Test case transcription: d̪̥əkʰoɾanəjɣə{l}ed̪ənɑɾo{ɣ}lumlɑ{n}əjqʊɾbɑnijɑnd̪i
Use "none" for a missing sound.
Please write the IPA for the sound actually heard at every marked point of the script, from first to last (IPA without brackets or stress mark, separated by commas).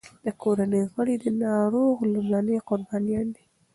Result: ɽ, ɣ, n